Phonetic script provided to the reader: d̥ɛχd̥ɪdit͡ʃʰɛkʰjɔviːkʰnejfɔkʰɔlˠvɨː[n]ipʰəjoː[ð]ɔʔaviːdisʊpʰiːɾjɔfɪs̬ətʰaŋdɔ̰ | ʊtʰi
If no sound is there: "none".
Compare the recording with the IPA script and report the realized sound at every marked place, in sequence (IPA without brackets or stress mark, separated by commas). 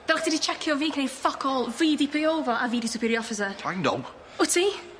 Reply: d, v